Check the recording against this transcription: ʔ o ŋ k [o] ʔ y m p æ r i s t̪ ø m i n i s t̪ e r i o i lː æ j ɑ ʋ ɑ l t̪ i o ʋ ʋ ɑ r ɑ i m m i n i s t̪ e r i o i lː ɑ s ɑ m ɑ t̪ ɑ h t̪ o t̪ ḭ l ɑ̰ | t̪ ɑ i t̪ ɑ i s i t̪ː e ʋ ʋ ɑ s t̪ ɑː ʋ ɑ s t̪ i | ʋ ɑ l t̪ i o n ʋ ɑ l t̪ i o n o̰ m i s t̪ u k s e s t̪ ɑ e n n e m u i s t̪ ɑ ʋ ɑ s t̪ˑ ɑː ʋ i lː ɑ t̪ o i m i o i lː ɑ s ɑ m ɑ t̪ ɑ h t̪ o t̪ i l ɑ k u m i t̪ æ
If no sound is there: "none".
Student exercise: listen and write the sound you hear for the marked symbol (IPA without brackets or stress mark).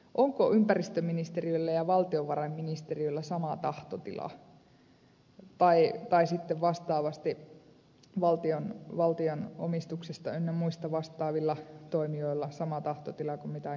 o